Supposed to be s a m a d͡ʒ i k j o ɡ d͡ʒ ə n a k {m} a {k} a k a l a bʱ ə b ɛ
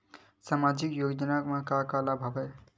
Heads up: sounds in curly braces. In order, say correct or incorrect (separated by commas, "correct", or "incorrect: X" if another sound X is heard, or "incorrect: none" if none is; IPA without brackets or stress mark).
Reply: correct, correct